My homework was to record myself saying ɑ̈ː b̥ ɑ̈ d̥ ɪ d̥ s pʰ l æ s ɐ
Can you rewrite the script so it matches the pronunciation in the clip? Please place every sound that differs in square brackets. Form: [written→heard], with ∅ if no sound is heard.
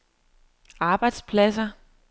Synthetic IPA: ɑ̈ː b̥ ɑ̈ [d̥→∅] ɪ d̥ s pʰ l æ s ɐ